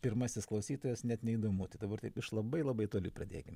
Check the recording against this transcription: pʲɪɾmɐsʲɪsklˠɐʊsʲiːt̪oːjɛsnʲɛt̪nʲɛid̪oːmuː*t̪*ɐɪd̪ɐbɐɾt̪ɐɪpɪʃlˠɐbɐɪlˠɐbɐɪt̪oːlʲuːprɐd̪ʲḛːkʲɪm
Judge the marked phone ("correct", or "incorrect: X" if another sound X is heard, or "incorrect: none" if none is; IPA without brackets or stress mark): correct